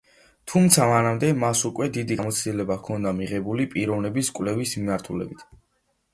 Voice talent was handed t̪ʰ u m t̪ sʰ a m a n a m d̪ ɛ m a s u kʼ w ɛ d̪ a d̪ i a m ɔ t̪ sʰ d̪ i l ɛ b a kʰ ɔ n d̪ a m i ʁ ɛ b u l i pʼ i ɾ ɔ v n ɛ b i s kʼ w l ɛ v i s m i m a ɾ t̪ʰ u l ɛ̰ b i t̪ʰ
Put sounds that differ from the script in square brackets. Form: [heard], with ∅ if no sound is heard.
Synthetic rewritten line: t̪ʰ u m t̪ sʰ a m a n a m d̪ ɛ m a s u kʼ w ɛ d̪ [i] d̪ i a m ɔ t̪ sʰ d̪ i l ɛ b a kʰ ɔ n d̪ a m i ʁ ɛ b u l i pʼ i ɾ ɔ v n ɛ b i s kʼ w l ɛ v i s m i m a ɾ t̪ʰ u l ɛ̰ b i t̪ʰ